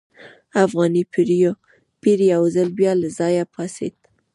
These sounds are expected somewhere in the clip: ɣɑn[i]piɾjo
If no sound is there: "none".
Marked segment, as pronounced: i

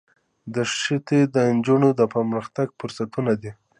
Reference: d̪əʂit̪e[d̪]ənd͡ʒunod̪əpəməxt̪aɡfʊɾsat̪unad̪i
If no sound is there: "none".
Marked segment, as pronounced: d̪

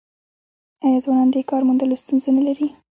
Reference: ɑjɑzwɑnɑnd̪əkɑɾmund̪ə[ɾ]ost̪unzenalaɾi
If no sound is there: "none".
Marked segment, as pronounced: l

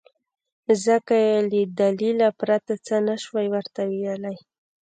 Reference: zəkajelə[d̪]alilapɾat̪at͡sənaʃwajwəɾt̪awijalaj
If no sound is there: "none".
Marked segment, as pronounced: d̪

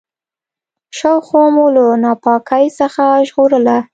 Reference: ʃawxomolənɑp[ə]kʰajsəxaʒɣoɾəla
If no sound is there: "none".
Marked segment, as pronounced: ɑ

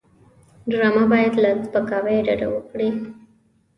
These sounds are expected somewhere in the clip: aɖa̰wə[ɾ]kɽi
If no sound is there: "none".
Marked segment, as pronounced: none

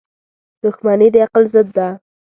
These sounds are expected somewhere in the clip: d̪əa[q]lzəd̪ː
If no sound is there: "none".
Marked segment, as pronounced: q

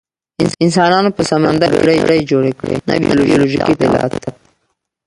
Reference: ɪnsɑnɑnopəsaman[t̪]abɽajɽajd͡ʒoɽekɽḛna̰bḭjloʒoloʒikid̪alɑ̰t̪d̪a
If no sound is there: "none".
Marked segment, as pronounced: d̪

